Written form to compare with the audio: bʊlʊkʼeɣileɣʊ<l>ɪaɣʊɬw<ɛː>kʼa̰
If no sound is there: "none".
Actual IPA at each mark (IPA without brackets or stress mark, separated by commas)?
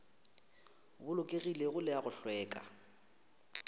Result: l, ɛː